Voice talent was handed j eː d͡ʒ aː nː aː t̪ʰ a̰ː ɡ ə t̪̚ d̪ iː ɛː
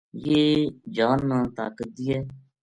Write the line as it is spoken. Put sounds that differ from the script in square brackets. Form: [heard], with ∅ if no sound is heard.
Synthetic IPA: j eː d͡ʒ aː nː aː [t̪] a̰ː [k] ə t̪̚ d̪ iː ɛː